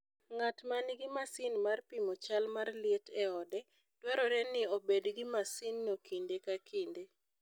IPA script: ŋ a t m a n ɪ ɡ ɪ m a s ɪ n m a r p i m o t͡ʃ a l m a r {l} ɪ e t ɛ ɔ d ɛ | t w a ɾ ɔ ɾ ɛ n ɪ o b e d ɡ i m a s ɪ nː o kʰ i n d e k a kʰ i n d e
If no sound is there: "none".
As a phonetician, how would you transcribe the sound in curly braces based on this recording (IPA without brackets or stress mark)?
l